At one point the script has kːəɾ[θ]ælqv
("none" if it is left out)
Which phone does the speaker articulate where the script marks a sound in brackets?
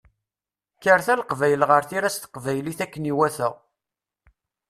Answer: θ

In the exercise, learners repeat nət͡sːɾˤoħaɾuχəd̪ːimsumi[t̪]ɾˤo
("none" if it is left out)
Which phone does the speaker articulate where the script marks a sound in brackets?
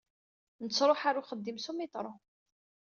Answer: t̪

